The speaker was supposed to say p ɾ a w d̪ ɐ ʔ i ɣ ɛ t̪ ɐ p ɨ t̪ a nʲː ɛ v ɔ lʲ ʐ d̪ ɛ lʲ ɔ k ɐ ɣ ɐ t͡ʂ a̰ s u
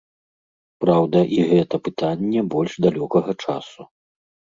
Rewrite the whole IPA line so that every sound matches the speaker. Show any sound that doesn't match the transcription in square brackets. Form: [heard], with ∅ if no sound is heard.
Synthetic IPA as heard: p ɾ a w d̪ ɐ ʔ i ɣ ɛ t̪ ɐ p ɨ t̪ a nʲː ɛ [b] ɔ lʲ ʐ d̪ [a] lʲ ɔ k ɐ ɣ ɐ t͡ʂ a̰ s u